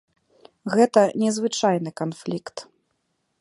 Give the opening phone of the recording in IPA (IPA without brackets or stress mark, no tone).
ɣ